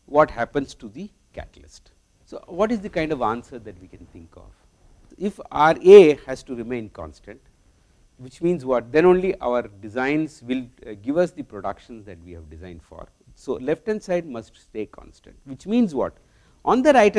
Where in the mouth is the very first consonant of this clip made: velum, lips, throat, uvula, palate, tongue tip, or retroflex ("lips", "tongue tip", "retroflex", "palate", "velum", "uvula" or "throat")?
lips